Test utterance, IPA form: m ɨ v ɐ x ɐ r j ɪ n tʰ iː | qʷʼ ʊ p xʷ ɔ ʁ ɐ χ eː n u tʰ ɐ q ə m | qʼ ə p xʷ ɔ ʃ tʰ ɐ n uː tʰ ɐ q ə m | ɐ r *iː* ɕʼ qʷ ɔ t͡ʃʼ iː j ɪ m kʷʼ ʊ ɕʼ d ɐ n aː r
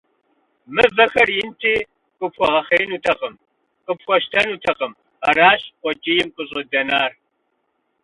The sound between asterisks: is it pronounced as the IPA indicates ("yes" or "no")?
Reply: no